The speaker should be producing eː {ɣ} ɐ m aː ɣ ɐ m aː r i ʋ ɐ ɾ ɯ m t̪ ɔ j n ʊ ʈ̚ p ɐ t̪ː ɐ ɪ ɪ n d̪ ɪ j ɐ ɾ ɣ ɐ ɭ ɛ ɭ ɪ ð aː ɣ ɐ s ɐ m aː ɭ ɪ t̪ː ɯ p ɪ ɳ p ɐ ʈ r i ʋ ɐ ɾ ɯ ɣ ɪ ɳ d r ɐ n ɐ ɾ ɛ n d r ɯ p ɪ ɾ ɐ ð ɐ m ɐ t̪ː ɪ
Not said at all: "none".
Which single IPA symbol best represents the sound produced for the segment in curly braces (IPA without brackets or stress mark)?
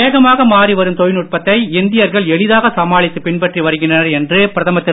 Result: ɣ